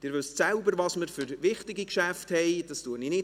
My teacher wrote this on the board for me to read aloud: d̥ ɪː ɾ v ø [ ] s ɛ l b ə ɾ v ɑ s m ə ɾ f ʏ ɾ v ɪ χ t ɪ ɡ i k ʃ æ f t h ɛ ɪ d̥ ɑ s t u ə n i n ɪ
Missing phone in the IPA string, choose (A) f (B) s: B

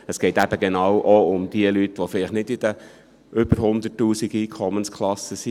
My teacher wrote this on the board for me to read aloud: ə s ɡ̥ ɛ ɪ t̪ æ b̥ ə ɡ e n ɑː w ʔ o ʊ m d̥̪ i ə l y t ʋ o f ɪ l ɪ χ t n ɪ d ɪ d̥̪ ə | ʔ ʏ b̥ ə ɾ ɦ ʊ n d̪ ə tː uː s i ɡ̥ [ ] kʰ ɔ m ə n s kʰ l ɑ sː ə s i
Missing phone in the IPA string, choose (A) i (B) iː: B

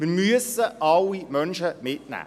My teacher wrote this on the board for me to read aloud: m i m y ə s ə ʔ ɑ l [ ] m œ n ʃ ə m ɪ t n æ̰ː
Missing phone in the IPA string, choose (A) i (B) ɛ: A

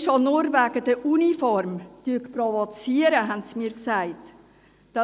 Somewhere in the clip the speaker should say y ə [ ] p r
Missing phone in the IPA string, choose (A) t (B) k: B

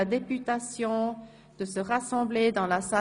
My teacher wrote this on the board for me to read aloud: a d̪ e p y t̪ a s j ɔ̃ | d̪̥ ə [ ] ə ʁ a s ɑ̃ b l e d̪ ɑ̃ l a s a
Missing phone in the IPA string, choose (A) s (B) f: A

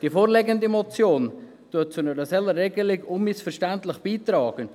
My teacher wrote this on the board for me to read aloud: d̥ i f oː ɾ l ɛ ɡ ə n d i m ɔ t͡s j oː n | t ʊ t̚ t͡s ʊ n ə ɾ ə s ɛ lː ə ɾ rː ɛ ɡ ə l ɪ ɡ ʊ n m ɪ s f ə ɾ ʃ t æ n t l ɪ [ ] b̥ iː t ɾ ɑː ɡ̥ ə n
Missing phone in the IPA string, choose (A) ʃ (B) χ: B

